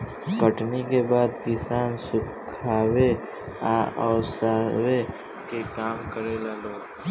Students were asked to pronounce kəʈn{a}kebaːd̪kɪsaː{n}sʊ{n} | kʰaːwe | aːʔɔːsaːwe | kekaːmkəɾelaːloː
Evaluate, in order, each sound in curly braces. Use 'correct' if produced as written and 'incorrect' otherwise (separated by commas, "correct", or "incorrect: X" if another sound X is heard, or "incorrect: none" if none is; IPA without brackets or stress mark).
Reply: incorrect: i, correct, incorrect: none